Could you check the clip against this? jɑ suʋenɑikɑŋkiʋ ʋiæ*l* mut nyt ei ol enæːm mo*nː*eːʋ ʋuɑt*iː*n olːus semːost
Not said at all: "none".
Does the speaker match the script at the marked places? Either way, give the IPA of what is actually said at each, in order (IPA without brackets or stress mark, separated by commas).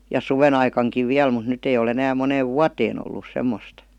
l, n, eː